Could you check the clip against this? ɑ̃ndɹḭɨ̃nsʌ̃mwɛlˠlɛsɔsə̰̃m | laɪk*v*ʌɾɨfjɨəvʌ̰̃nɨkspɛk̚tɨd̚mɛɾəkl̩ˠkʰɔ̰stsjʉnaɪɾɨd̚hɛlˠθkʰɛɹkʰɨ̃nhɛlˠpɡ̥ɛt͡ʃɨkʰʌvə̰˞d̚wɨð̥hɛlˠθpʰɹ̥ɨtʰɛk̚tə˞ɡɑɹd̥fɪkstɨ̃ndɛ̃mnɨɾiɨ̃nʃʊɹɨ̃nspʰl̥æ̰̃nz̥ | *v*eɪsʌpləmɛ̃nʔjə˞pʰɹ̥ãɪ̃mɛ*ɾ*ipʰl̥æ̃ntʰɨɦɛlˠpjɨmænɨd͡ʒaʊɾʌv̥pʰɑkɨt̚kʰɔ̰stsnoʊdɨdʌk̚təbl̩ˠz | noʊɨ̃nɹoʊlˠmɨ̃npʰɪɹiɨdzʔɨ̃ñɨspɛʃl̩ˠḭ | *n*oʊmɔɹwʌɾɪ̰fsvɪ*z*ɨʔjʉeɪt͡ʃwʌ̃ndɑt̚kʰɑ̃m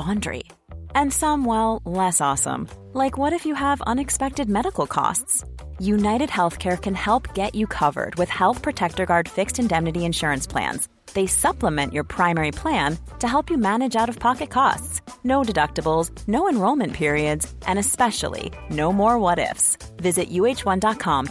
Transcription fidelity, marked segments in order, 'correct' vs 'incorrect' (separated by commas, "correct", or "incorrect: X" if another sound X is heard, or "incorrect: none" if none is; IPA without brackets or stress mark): incorrect: w, incorrect: ð, incorrect: ɹ, correct, correct